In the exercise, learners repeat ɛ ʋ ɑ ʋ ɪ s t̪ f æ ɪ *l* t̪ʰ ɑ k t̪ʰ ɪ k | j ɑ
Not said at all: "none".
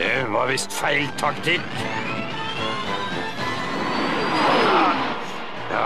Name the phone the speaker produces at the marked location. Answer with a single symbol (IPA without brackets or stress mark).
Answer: l